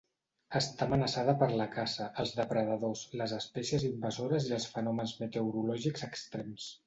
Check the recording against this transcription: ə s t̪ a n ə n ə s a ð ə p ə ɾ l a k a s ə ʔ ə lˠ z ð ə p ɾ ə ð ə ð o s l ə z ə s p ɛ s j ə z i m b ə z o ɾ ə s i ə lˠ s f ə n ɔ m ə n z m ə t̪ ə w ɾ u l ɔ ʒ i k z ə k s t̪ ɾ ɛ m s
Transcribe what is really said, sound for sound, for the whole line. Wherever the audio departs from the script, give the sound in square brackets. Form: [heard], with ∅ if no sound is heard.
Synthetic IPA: ə s t̪ a [m] ə n ə s a ð ə p ə ɾ l [ə] k a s ə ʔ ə lˠ z ð ə p ɾ ə ð ə ð o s l ə z ə s p ɛ s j ə z i m b ə z o ɾ ə [z] i ə lˠ s f ə n ɔ m ə n z m ə t̪ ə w ɾ u l ɔ ʒ i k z ə k s t̪ ɾ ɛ m s